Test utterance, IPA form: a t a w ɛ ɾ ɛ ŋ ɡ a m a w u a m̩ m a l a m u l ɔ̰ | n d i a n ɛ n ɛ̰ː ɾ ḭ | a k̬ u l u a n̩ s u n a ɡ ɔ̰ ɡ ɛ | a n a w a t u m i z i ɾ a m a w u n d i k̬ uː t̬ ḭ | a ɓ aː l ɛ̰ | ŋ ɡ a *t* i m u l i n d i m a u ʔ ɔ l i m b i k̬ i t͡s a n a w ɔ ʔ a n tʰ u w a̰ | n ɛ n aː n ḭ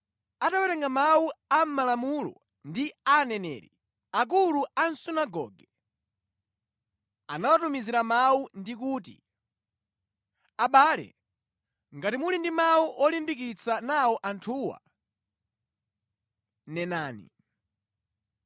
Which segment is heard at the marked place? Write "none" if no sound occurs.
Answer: t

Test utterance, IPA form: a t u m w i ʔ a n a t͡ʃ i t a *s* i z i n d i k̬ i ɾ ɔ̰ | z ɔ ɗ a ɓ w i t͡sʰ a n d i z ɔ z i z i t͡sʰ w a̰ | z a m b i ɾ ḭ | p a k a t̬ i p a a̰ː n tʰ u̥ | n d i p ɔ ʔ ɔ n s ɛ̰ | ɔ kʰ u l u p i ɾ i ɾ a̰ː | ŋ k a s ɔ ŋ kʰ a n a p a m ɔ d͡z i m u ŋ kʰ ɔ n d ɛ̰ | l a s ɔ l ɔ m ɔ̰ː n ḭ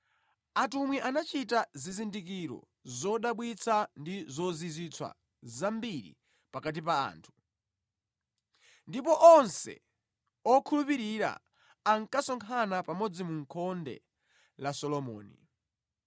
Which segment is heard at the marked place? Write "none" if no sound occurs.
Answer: z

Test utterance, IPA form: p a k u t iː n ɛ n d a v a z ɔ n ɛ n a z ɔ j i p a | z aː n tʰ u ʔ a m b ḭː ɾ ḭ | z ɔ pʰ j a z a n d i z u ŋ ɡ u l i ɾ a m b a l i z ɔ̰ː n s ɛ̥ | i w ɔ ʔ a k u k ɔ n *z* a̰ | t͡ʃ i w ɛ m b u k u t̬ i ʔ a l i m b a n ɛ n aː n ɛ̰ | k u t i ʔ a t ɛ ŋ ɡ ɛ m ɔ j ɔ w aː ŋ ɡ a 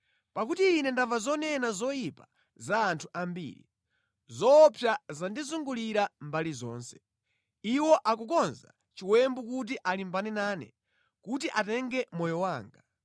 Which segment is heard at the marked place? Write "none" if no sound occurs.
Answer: z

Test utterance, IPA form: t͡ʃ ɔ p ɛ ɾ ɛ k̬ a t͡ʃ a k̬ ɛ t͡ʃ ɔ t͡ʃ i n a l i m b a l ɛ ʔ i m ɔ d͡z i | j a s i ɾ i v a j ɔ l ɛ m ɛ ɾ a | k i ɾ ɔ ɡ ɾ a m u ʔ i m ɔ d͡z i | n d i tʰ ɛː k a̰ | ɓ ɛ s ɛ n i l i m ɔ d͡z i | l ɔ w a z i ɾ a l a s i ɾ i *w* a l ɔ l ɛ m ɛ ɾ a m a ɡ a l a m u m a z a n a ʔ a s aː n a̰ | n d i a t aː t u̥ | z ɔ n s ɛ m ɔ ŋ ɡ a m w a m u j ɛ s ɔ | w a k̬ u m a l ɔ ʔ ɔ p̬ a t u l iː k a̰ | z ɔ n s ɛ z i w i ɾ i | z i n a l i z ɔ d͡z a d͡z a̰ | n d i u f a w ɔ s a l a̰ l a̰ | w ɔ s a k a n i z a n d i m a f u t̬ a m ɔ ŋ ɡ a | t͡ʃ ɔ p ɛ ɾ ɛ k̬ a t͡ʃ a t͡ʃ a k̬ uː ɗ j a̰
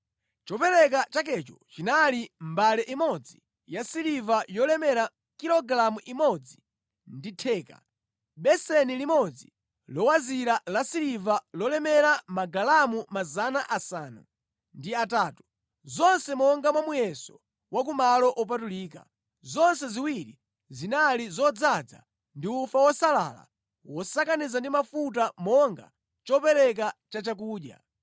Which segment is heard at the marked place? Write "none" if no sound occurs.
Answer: v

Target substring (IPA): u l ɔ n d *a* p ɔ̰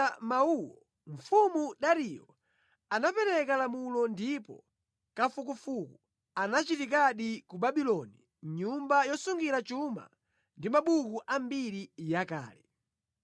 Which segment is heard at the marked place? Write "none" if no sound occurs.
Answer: i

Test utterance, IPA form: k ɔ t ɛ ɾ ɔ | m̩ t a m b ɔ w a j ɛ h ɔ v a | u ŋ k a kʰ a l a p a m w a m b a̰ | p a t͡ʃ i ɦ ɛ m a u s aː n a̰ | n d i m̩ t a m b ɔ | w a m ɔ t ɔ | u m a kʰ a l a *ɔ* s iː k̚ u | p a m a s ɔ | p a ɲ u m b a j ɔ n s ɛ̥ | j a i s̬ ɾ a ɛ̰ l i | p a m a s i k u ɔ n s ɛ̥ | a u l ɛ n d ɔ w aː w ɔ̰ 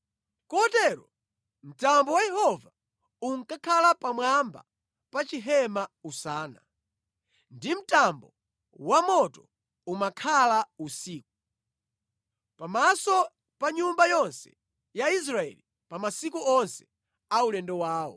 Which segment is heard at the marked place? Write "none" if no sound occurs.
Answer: u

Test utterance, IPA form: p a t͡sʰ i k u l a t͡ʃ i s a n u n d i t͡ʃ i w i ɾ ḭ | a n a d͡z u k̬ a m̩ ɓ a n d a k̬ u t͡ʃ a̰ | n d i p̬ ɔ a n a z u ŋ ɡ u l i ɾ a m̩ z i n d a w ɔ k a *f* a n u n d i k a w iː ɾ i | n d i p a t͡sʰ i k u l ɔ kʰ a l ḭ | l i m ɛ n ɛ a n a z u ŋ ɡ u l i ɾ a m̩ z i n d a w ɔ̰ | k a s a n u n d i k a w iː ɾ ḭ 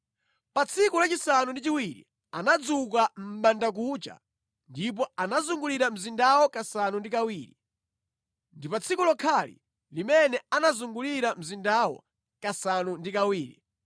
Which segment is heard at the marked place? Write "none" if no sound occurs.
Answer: s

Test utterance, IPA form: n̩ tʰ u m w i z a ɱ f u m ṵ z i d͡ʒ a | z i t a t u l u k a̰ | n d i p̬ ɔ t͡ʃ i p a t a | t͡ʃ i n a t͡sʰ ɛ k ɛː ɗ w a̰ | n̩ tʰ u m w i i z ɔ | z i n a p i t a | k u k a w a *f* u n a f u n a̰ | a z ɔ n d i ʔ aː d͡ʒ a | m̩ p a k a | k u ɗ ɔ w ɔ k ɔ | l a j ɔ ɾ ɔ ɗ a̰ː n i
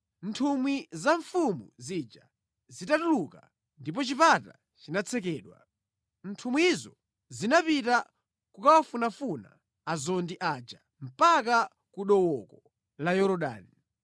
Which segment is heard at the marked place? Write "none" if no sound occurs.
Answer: f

